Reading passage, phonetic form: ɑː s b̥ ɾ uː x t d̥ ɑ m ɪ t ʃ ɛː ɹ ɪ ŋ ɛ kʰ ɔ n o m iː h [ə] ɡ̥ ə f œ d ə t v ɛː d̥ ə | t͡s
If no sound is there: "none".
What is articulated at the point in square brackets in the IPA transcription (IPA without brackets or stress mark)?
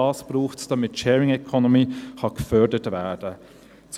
ɑ